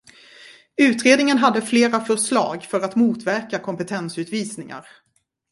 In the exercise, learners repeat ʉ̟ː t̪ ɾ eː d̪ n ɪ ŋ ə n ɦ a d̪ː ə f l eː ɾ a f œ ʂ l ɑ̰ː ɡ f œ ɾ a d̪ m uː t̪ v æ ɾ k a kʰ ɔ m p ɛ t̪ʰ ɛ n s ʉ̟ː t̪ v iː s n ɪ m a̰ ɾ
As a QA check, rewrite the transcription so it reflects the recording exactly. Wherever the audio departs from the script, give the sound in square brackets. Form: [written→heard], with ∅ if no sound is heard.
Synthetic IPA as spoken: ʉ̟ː t̪ ɾ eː d̪ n ɪ ŋ ə n ɦ a d̪ː ə f l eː ɾ a f œ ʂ l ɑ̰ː ɡ f œ ɾ a [d̪→t̪] m uː t̪ v æ ɾ k a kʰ ɔ m p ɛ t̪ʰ ɛ n s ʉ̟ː t̪ v iː s n ɪ [m→ŋ] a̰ ɾ

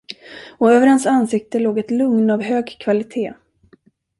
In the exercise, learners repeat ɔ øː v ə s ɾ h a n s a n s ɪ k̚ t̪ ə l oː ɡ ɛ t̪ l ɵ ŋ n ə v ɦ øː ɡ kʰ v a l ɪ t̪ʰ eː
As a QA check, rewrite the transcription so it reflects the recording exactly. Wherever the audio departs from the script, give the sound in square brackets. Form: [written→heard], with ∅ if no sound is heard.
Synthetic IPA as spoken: ɔ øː v ə [s→∅] ɾ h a n s a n s ɪ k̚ t̪ ə l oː ɡ ɛ t̪ l ɵ ŋ n [ə→a] v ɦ øː ɡ kʰ v a l ɪ t̪ʰ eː

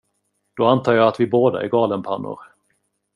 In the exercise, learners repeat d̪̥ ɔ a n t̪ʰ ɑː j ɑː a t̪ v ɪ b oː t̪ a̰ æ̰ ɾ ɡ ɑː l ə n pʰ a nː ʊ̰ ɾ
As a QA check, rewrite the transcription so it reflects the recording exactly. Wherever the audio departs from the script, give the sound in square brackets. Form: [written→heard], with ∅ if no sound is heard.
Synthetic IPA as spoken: d̪̥ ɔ a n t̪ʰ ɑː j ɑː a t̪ v ɪ b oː [t̪→d̪] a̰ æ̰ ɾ ɡ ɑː l ə n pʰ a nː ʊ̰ ɾ

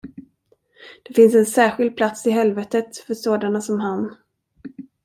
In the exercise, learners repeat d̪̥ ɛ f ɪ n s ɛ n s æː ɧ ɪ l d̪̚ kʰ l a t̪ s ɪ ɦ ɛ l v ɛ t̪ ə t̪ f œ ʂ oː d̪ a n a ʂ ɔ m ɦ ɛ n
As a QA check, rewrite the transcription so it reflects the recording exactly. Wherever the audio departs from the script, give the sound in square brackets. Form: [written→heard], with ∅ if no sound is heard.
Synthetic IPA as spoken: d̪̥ ɛ f ɪ n s ɛ n s æː ɧ ɪ l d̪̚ [kʰ→pʰ] l a t̪ s ɪ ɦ ɛ l v ɛ t̪ ə t̪ f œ ʂ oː d̪ a n a [ʂ→s] ɔ m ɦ [ɛ→a] n

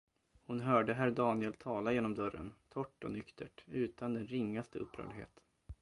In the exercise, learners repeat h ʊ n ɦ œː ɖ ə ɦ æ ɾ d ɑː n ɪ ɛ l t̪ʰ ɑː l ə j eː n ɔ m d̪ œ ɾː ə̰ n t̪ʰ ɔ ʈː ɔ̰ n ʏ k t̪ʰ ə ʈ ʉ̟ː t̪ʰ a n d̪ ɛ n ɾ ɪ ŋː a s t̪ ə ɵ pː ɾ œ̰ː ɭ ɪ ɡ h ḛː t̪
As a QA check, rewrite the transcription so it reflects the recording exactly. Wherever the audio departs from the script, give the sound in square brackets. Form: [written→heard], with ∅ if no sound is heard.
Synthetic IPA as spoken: h ʊ n ɦ œː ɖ ə ɦ æ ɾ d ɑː n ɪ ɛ l t̪ʰ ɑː l [ə→a] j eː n ɔ m d̪ œ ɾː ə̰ n t̪ʰ ɔ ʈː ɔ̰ n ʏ k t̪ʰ ə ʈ ʉ̟ː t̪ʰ a n d̪ ɛ n ɾ ɪ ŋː a s t̪ ə ɵ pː ɾ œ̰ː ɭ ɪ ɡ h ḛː t̪

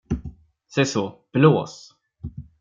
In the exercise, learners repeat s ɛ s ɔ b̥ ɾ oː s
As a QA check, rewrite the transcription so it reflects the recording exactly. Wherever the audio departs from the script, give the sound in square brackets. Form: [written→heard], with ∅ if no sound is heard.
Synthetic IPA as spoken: s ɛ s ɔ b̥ [ɾ→l] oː s

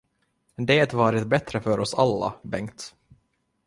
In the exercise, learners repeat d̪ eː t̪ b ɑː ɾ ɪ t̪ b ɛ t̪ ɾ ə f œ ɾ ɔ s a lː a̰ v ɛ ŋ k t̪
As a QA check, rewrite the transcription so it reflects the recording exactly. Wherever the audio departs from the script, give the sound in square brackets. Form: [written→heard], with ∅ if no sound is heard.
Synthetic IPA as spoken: d̪ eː t̪ [b→v] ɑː ɾ ɪ t̪ b ɛ t̪ ɾ ə f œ ɾ ɔ s a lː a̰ [v→b] ɛ ŋ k t̪

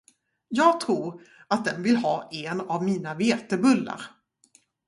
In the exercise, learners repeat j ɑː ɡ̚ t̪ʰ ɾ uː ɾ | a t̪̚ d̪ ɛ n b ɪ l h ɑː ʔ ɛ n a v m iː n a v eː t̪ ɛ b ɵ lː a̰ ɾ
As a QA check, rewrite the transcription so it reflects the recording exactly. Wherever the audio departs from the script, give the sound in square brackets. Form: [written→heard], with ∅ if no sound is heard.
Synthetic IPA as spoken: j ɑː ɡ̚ t̪ʰ ɾ uː ɾ | a t̪̚ d̪ ɛ n [b→v] ɪ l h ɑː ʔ ɛ n a v m iː n a v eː t̪ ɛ b ɵ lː a̰ ɾ

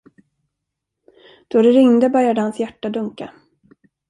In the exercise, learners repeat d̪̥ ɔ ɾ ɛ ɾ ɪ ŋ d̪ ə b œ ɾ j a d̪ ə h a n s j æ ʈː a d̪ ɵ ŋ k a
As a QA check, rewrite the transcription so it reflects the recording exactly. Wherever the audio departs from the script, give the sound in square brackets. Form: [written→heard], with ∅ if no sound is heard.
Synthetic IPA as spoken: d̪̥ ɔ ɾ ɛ ɾ ɪ ŋ d̪ ə b œ ɾ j a d̪ ə h a n s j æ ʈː a d̪ ɵ ŋ k a

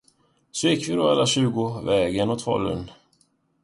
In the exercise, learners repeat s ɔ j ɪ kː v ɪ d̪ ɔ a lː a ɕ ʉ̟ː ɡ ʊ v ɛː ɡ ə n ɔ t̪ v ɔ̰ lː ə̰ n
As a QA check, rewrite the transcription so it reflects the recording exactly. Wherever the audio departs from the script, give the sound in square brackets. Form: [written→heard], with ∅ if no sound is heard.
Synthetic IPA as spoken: s ɔ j ɪ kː v ɪ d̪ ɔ a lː a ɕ ʉ̟ː ɡ ʊ v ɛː ɡ ə n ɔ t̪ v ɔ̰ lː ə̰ n

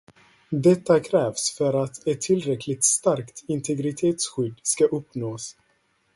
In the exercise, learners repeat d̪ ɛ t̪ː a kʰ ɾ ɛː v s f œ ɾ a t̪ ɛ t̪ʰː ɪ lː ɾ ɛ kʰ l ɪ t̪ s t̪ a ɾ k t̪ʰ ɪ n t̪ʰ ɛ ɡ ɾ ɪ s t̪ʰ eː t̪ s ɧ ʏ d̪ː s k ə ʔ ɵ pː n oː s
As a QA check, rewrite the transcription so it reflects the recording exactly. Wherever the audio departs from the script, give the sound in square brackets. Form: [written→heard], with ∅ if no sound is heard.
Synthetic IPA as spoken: d̪ ɛ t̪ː a kʰ ɾ ɛː v s f œ ɾ a t̪ ɛ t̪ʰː ɪ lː ɾ ɛ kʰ l ɪ t̪ s t̪ a ɾ k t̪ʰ ɪ n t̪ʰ ɛ ɡ ɾ ɪ [s→∅] t̪ʰ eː t̪ s ɧ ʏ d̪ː s k [ə→a] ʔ ɵ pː n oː s

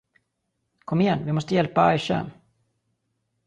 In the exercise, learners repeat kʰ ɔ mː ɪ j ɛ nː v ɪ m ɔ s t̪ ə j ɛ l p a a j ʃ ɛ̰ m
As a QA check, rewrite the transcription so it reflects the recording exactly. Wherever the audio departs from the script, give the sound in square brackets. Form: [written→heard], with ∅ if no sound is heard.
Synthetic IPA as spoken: kʰ ɔ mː ɪ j ɛ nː v ɪ m ɔ s t̪ ə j ɛ l p a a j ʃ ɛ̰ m

